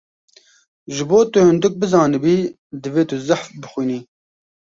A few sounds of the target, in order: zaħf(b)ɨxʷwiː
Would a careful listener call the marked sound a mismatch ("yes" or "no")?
no